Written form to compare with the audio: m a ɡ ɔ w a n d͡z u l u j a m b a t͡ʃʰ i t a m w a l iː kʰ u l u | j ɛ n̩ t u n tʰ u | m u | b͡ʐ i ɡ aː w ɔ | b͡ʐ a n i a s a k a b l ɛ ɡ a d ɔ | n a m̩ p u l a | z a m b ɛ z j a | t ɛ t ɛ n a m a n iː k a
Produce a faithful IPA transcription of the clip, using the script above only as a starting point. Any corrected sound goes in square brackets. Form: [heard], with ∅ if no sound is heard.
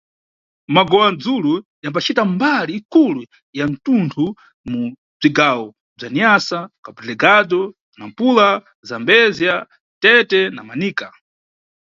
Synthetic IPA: m a ɡ ɔ w a n d͡z u l u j a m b a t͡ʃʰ i t a m [b] a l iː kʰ u l u | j [a] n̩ t u n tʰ u | m u | b͡ʐ i ɡ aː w ɔ | b͡ʐ a n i a s a k a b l ɛ ɡ a d ɔ | n a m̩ p u l a | z a m b ɛ z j a | t ɛ t ɛ n a m a n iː k a